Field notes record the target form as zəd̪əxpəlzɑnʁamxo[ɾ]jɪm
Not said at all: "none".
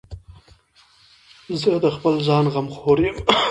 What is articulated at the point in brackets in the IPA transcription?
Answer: ɾ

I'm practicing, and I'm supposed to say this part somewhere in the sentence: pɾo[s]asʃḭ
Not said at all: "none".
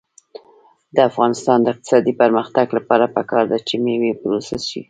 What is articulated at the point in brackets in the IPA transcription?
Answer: s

